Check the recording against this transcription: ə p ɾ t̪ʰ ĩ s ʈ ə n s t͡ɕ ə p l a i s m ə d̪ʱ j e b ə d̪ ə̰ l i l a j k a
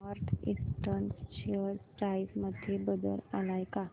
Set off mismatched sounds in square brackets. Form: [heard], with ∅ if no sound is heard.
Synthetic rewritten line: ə [∅] ɾ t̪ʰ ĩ s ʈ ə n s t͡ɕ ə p [ɾ] a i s m ə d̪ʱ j e b ə d̪ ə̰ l [a] l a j k a